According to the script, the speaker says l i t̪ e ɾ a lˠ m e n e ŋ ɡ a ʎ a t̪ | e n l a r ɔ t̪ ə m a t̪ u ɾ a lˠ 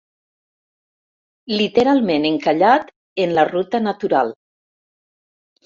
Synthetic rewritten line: l i t̪ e ɾ a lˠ m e n e ŋ k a ʎ a t̪ | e n l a r u t̪ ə n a t̪ u ɾ a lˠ